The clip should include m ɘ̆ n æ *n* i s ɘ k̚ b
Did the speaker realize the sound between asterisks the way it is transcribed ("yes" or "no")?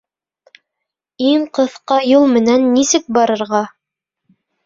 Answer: no